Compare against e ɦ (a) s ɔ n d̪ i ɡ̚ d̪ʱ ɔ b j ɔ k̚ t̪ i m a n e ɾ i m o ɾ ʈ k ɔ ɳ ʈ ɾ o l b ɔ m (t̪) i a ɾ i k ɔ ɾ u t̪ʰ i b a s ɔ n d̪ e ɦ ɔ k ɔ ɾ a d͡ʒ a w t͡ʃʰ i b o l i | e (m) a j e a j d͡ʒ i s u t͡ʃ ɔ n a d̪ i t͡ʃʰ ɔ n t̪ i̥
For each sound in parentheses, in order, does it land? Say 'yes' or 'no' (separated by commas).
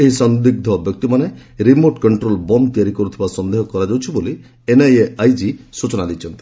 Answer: no, yes, no